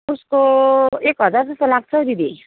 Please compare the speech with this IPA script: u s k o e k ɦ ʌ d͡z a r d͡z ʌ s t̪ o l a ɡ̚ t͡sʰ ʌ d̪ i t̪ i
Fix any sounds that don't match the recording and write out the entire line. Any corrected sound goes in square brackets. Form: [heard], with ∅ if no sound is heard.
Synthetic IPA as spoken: u s k o e k ɦ ʌ d͡z a r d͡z ʌ s t̪ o l a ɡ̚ t͡sʰ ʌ d̪ i [d̪] i